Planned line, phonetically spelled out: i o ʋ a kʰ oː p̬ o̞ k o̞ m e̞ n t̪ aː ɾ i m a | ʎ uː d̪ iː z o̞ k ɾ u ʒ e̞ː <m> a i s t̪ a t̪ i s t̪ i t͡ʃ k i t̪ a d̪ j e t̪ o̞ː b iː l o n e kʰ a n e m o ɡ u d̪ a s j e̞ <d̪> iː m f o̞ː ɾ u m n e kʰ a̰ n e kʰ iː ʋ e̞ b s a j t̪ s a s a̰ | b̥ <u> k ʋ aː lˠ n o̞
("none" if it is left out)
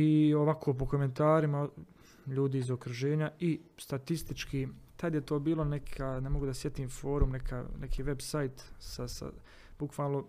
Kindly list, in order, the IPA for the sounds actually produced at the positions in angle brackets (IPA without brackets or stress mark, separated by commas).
ɲ, t̪, u